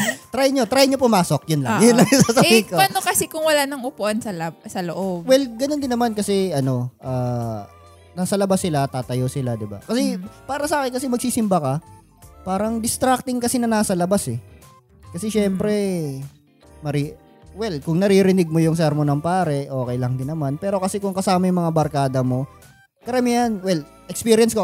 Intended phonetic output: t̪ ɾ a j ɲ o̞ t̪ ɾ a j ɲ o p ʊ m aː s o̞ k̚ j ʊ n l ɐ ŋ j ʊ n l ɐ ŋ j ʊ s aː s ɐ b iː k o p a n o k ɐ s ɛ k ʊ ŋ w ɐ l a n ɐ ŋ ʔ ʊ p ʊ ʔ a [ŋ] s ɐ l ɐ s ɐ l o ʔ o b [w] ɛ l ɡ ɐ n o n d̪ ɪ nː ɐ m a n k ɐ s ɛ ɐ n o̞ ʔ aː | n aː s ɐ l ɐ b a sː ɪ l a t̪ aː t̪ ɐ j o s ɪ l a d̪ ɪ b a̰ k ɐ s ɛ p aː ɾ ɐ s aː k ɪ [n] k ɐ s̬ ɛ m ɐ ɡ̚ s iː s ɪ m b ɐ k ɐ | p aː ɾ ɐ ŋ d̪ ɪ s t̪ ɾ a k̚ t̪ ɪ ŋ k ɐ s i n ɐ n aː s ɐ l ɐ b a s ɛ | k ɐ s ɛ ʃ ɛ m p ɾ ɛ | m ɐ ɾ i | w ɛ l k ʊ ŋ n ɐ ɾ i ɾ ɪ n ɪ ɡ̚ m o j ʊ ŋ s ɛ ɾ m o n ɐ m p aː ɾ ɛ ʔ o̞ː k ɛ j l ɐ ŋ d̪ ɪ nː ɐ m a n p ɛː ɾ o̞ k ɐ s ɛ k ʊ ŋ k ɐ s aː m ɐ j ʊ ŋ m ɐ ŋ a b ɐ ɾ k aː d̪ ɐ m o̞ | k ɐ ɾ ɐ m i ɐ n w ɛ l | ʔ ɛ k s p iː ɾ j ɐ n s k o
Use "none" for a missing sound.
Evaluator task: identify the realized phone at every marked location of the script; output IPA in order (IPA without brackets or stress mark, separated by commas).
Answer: n, w, n